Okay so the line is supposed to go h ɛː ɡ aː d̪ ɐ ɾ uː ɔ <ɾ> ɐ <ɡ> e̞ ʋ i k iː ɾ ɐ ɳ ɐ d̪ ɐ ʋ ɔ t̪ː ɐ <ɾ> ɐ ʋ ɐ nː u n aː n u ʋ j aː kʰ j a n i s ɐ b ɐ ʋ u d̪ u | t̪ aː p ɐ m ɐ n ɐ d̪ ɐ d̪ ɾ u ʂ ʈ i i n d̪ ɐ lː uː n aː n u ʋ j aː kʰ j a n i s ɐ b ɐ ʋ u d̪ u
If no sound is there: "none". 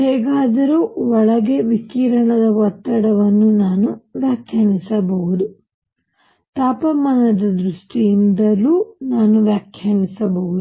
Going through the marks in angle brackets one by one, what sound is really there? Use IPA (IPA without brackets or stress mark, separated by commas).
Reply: ɭ, ɡ, ɽ